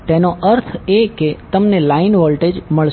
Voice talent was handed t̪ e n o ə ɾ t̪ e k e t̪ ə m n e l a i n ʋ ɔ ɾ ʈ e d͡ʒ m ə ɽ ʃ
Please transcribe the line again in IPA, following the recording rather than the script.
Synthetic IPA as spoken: t̪ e n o ə ɾ t̪ʰ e k e t̪ ə m n e l a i n ʋ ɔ l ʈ e d͡ʒ m ə ɭ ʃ